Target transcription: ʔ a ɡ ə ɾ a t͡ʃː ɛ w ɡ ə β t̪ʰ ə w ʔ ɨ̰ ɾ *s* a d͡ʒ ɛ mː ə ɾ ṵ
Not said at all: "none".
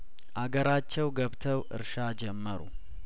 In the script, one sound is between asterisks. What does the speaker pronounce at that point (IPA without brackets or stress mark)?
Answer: ʃ